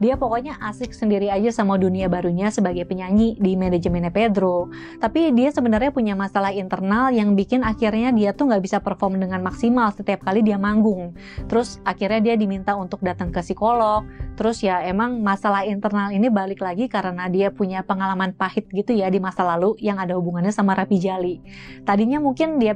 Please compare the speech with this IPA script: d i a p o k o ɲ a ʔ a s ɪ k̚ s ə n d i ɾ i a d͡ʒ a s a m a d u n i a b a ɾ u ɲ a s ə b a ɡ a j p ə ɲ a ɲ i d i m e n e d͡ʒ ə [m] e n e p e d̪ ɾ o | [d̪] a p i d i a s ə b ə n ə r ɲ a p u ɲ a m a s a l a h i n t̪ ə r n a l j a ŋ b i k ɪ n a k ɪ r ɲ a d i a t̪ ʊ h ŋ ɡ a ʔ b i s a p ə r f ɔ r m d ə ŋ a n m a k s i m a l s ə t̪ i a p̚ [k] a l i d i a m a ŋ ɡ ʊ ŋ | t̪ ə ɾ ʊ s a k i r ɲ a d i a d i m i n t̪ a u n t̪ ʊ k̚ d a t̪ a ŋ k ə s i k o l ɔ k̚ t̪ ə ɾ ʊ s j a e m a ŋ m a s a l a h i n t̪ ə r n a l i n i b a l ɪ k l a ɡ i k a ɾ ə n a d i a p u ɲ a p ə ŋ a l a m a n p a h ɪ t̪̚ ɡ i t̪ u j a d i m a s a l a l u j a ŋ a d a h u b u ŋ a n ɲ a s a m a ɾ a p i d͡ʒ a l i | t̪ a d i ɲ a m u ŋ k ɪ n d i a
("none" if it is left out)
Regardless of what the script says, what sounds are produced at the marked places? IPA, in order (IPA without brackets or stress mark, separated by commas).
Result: m, t̪, k